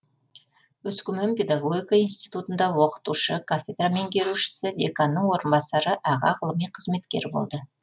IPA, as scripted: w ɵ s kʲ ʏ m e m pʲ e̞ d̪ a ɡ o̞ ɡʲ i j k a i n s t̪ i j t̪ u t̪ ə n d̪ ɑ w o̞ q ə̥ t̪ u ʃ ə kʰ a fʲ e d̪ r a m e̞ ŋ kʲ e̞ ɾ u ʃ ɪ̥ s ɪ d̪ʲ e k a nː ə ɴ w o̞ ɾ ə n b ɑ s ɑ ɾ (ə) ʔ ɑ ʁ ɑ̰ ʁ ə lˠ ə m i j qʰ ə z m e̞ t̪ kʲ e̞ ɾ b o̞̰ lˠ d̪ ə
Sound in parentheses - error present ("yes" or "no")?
no